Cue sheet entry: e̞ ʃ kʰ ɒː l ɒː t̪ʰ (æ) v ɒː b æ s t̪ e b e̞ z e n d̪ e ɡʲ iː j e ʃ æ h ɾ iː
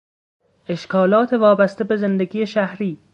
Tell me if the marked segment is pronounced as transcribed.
no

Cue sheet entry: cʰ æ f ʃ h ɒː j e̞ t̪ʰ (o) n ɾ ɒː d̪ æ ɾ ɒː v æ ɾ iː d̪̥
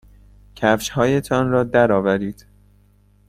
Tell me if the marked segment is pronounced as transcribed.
no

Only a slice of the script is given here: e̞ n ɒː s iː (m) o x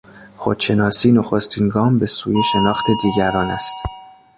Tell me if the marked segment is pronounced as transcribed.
no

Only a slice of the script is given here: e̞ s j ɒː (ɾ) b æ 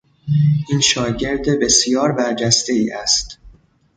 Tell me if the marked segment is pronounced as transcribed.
yes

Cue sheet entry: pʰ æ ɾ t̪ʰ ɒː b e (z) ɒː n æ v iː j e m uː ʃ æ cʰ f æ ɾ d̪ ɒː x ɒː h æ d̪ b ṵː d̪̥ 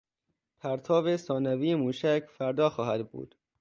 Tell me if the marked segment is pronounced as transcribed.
no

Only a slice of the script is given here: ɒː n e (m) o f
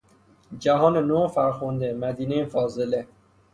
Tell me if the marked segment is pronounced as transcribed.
no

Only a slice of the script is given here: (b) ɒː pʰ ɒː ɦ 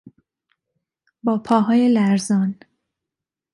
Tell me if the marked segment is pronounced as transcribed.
yes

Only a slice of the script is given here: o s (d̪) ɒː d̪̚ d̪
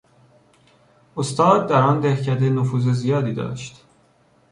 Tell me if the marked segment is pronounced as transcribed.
no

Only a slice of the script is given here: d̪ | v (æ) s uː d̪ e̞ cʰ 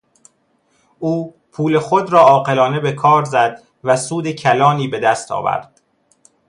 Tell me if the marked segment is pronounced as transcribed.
yes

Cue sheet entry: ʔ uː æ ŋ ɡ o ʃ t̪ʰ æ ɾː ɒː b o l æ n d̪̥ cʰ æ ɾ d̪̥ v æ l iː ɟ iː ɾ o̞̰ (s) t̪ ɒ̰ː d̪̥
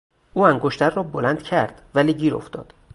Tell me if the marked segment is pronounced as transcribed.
no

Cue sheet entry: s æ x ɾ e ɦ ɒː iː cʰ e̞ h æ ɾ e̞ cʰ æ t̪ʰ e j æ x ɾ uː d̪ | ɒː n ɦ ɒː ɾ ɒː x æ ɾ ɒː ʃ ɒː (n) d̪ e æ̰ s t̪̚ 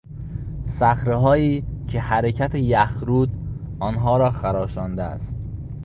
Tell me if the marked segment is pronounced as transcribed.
yes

